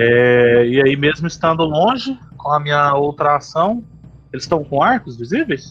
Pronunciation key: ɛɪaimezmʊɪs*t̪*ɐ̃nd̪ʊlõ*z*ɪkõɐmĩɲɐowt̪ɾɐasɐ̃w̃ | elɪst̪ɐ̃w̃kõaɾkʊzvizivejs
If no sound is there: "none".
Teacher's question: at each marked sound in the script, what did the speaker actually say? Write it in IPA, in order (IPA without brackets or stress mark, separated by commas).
t̪, ʒ